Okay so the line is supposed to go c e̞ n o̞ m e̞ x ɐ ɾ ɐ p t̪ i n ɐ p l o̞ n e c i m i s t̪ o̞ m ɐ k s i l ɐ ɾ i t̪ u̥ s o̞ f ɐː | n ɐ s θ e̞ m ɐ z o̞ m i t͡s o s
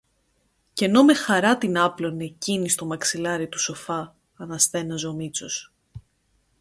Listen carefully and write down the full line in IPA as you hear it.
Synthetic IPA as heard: c e̞ n o̞ m e̞ x ɐ ɾ ɐ t̪ i n ɐ p l o̞ n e c i n i s t̪ o̞ m ɐ k s i l ɐ ɾ i t̪ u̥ s o̞ f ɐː | n ɐ s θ e̞ n ɐ z o̞ m i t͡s o s